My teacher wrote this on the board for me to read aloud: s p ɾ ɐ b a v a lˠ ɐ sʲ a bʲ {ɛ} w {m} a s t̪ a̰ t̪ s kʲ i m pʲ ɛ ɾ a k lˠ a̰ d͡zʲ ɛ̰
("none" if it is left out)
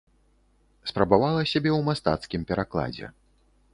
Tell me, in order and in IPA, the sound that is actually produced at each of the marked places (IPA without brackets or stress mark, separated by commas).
ɛ, m